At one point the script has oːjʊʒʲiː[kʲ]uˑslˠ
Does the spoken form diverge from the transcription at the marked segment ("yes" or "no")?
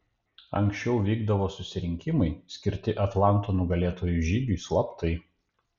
yes